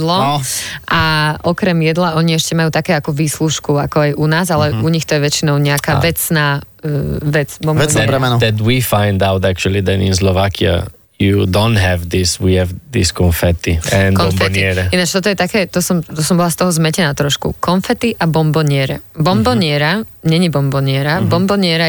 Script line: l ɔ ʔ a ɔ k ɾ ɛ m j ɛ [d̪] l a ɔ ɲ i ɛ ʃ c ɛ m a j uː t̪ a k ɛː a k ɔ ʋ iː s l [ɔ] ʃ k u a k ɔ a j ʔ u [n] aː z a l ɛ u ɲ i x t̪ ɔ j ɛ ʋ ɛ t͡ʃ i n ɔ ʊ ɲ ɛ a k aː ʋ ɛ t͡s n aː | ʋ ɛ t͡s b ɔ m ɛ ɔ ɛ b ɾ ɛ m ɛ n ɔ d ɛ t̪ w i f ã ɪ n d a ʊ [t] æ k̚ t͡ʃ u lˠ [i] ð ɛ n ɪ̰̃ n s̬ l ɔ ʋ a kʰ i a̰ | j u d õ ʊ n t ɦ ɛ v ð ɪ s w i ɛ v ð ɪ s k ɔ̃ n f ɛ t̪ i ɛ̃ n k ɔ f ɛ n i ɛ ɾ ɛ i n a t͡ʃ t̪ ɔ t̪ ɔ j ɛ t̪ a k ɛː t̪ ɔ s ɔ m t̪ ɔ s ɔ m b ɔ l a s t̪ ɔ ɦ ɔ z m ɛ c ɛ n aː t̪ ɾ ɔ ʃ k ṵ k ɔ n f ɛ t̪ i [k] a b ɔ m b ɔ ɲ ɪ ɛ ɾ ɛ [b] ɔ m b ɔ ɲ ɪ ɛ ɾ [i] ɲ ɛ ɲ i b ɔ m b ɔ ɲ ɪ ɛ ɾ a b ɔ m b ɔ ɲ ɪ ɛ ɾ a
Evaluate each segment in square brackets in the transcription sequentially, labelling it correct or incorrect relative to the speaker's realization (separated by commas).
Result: correct, incorrect, correct, correct, correct, incorrect, correct, incorrect